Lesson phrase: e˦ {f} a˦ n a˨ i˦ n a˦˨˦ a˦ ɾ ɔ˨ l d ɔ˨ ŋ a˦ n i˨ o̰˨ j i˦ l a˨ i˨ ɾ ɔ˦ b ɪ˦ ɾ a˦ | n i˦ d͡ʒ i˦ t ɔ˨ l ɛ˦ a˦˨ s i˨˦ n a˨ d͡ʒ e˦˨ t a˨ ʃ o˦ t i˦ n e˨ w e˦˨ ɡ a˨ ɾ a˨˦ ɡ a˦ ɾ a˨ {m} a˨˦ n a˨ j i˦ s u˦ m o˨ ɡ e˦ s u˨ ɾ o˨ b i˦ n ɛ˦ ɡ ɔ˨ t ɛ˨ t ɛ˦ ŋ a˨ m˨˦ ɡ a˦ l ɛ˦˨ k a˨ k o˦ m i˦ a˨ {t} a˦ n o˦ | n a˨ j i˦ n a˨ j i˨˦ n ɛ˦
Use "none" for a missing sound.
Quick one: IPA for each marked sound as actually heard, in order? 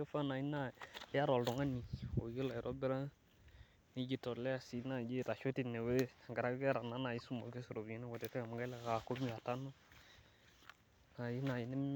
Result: f, n, t

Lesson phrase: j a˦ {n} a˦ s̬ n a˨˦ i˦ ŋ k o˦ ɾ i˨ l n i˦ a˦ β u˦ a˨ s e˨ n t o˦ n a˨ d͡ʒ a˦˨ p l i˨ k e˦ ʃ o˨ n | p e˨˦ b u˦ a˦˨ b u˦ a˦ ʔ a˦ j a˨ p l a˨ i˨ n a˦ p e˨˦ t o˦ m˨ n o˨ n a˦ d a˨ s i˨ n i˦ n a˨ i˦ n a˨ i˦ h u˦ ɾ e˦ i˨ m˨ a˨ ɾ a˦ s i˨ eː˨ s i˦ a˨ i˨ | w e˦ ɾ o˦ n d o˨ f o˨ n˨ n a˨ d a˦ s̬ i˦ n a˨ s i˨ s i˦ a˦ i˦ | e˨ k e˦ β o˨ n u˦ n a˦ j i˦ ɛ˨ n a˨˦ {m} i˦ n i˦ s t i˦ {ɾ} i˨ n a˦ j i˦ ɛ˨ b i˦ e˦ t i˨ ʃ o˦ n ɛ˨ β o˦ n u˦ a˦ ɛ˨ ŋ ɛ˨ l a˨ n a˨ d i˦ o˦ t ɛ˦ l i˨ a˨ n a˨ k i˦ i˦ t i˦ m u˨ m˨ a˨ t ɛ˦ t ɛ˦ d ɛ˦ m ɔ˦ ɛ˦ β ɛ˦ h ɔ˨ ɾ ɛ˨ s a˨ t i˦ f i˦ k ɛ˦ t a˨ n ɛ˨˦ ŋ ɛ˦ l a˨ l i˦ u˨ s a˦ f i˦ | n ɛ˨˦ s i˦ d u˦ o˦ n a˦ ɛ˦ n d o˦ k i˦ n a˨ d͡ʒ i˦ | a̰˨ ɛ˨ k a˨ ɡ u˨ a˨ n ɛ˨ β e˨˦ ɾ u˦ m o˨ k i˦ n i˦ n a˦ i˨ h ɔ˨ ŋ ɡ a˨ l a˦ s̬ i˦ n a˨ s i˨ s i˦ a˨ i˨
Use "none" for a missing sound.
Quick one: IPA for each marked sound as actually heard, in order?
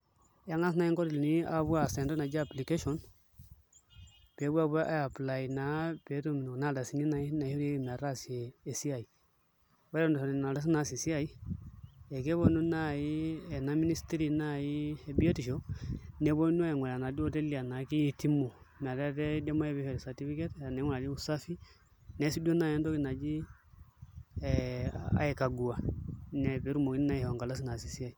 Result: ŋ, m, ɾ

